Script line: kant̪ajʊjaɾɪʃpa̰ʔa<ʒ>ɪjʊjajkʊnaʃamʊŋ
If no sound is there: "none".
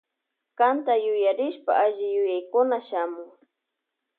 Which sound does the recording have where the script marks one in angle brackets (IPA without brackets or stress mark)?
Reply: ʒ